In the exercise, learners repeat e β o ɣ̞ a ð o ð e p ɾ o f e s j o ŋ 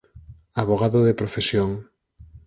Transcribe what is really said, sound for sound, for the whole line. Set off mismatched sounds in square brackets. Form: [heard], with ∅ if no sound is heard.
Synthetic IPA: [a] β o ɣ̞ a ð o ð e p ɾ o f e s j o ŋ